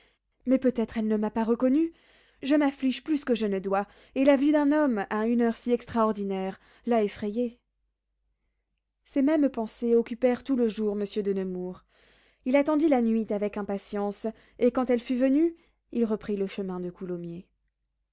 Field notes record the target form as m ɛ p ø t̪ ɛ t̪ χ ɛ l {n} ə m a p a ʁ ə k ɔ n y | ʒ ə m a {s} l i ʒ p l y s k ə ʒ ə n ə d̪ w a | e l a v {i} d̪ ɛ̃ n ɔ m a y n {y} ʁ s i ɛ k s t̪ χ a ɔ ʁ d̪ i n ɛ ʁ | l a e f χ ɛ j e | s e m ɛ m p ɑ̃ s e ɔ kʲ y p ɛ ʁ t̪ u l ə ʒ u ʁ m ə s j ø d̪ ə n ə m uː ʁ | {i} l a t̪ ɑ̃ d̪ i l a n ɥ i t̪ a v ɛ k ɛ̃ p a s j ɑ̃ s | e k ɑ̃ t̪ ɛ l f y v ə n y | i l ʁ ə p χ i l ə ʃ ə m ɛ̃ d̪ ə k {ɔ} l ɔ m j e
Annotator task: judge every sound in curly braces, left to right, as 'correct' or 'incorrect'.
correct, incorrect: f, incorrect: y, incorrect: œ, correct, incorrect: u

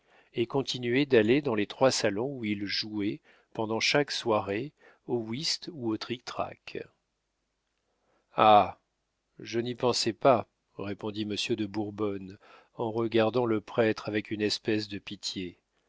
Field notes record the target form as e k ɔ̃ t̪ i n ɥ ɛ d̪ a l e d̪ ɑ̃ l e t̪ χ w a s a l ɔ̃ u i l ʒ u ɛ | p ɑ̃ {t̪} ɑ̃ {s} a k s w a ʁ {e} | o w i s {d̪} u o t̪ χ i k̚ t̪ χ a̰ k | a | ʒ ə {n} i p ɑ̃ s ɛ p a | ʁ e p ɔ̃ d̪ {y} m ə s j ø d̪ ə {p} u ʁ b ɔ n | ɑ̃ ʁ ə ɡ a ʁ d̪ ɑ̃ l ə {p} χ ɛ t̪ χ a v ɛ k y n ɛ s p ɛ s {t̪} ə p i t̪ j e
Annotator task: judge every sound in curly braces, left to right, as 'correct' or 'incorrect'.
incorrect: d̪, incorrect: ʃ, correct, incorrect: t̪, correct, incorrect: i, incorrect: b, correct, incorrect: d̪

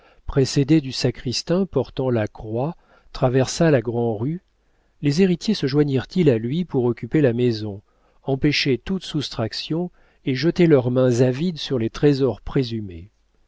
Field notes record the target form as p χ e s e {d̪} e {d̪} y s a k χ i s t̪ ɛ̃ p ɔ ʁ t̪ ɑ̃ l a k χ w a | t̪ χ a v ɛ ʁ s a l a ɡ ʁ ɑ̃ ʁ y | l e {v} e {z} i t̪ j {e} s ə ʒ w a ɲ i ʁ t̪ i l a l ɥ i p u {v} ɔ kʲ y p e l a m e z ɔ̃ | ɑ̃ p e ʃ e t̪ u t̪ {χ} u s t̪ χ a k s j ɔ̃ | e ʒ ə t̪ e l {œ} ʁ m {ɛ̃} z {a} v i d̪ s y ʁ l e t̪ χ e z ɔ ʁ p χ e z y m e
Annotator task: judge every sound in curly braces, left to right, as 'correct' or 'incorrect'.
correct, correct, incorrect: z, incorrect: ʁ, correct, incorrect: ʁ, incorrect: s, correct, correct, correct

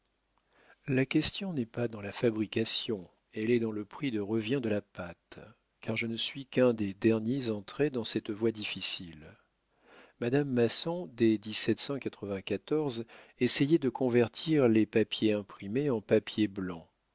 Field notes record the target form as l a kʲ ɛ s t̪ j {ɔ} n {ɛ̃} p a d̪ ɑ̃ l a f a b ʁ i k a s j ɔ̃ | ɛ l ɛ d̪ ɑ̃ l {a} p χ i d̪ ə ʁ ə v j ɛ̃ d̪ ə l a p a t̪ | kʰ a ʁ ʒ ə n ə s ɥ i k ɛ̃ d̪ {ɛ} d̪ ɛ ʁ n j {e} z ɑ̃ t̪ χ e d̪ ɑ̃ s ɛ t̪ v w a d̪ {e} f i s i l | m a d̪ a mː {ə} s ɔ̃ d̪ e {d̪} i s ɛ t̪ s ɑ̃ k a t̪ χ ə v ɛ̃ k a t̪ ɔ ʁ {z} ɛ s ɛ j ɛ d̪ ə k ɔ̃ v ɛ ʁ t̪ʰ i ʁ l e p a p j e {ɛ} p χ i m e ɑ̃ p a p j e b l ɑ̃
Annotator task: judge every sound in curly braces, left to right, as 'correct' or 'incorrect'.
incorrect: ɔ̃, incorrect: ɛ, incorrect: ə, incorrect: e, correct, incorrect: i, incorrect: a, correct, correct, incorrect: ɛ̃

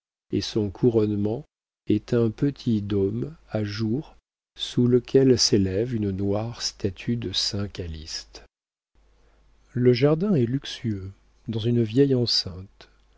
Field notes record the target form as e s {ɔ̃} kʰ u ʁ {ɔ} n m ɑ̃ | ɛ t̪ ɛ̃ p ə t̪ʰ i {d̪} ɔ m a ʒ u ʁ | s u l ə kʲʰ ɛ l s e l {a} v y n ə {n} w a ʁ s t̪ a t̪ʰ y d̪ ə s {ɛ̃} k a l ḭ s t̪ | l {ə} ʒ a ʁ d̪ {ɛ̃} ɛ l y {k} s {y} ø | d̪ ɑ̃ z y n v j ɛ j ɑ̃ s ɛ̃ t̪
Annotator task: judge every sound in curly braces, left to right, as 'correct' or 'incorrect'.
correct, correct, correct, incorrect: ɛ, correct, correct, correct, correct, correct, correct

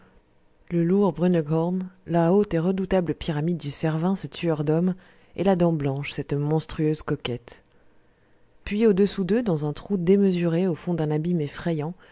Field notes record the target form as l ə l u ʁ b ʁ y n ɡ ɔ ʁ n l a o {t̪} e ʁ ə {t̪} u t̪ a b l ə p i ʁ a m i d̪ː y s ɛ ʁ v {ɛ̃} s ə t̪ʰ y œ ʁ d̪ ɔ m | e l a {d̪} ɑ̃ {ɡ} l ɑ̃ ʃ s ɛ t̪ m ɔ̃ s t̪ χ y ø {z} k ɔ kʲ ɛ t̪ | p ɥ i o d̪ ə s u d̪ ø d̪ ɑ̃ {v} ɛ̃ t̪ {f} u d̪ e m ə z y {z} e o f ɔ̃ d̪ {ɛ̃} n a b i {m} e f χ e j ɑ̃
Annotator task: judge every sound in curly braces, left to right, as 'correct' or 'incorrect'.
correct, incorrect: d̪, correct, correct, incorrect: b, correct, incorrect: z, incorrect: χ, incorrect: ʁ, correct, correct

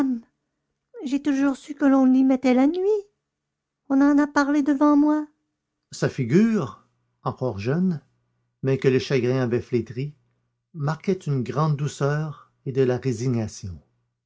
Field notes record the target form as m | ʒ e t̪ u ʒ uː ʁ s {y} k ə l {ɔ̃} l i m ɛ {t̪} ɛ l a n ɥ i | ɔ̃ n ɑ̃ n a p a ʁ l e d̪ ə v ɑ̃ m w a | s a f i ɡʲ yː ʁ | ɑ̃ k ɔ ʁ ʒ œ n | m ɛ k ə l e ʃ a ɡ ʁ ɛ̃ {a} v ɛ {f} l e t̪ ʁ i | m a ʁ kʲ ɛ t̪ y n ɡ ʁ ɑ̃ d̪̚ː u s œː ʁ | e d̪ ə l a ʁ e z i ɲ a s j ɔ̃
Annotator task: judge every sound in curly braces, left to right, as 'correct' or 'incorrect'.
correct, correct, correct, correct, correct

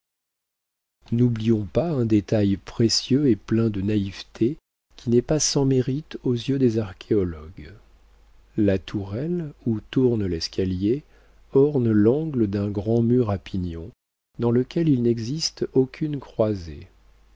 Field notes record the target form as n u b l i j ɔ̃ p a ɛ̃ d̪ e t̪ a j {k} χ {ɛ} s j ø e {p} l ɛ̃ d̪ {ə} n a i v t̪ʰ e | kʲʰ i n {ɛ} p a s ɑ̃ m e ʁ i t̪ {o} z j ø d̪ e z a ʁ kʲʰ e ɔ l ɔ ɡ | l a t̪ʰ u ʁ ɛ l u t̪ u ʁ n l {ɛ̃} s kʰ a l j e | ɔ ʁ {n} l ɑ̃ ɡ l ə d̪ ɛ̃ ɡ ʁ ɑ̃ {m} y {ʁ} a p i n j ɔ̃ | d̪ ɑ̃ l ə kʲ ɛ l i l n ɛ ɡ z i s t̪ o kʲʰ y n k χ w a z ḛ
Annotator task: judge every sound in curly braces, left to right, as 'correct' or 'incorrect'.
incorrect: p, incorrect: e, correct, correct, correct, correct, incorrect: ɛ, correct, correct, correct

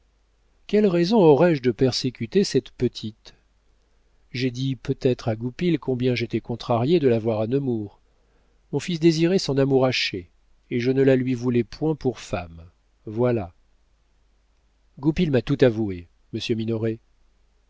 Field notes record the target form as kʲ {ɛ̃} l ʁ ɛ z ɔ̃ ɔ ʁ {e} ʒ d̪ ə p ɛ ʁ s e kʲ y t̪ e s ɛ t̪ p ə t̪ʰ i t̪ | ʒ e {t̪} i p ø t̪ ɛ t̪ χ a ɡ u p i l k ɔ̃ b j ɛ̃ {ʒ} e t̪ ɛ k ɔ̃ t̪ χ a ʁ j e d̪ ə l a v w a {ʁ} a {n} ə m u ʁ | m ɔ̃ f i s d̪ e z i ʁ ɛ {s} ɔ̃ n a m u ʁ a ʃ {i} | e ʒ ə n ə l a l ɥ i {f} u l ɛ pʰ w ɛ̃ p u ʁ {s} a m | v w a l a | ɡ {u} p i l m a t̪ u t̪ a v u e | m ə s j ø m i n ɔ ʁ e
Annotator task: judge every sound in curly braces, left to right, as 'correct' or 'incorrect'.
incorrect: ɛ, incorrect: ɛ, incorrect: d̪, correct, correct, correct, correct, incorrect: e, incorrect: v, incorrect: f, correct

